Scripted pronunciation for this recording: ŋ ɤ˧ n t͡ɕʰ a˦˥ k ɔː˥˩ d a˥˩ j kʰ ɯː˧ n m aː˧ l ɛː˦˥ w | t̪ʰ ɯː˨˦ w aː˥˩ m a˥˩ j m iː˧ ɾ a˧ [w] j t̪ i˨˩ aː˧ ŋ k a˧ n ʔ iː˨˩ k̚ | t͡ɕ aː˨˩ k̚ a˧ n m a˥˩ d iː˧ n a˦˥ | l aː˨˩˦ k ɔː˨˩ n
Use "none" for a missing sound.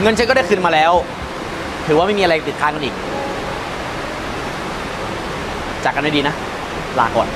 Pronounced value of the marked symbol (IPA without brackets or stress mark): none